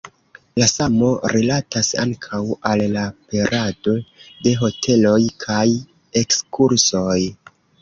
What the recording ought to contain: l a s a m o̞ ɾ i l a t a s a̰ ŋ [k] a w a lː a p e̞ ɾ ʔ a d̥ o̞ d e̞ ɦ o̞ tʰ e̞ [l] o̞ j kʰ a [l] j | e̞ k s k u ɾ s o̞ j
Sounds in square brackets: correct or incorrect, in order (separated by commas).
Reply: incorrect, correct, incorrect